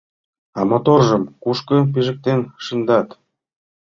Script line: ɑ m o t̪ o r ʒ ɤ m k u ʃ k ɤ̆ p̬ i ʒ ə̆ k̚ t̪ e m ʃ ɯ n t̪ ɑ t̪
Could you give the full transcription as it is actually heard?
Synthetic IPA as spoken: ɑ m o t̪ o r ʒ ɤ m k u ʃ k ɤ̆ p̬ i ʒ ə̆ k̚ t̪ e n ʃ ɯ n d̪ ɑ t̪